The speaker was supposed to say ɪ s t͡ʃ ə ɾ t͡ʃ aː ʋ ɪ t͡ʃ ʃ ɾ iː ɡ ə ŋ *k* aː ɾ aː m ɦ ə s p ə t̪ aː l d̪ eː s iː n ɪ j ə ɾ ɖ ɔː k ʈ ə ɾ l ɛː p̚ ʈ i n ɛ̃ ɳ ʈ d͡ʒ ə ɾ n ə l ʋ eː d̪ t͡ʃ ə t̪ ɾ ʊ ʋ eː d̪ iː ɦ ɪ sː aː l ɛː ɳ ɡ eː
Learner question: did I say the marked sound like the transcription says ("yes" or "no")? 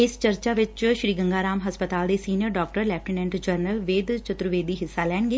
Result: no